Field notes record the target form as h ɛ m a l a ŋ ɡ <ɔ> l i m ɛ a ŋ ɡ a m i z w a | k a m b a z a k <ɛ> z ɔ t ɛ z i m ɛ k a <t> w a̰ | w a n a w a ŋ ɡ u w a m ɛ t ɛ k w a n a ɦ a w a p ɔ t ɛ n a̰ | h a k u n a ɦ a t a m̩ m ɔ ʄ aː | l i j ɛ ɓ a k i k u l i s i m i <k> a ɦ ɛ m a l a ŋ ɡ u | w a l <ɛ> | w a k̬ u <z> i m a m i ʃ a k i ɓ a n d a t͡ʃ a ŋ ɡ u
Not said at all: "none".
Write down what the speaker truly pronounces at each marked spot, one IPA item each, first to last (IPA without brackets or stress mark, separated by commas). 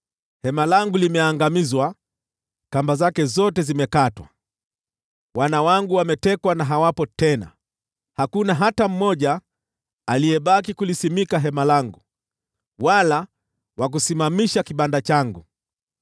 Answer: u, ɛ, t, k, a, s